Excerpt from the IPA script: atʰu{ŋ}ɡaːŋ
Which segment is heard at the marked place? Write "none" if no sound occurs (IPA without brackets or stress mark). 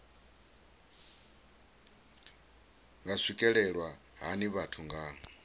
ŋ